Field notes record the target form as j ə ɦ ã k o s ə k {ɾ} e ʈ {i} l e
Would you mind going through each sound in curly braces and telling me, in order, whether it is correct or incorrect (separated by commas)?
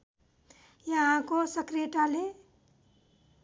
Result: correct, incorrect